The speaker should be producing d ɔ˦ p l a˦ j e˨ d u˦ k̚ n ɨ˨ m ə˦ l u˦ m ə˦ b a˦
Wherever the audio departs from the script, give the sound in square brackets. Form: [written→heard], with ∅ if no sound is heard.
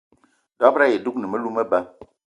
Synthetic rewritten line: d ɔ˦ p [l→ɾ] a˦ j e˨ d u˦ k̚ n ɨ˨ m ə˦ l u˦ m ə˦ b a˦